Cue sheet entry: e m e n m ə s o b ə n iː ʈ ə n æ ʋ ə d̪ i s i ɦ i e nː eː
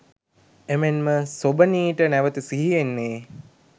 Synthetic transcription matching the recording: e m e n m ə s o b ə n iː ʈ ə n æ ʋ ə t̪ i s i ɦ i e nː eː